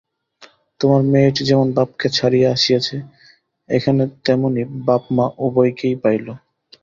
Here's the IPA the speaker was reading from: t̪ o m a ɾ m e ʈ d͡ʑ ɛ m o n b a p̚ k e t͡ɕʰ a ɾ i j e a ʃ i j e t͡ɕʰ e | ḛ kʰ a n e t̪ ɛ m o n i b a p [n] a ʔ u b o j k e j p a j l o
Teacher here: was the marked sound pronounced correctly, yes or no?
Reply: no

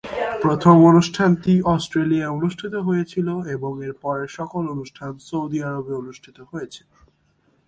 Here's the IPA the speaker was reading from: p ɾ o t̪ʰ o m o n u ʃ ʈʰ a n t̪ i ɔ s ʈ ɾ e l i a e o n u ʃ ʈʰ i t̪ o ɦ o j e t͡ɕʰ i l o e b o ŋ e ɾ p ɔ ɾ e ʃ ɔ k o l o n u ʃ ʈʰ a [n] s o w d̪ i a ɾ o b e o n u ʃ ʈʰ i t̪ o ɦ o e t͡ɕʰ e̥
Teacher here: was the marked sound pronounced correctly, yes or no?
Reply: yes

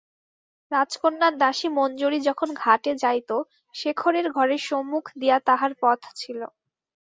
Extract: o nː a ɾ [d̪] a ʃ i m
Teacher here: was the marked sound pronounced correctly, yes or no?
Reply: yes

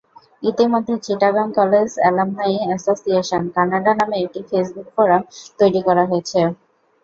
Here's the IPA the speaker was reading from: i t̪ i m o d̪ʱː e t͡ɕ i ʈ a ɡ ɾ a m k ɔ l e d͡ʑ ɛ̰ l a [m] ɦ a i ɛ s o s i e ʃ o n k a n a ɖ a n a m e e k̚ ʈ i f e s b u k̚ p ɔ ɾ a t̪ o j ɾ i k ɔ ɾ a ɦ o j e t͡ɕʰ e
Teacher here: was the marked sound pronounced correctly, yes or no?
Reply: yes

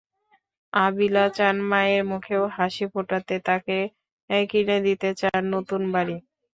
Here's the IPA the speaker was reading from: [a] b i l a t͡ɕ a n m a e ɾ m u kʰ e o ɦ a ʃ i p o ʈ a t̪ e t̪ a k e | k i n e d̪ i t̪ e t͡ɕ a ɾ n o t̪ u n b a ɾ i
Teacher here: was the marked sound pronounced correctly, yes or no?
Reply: yes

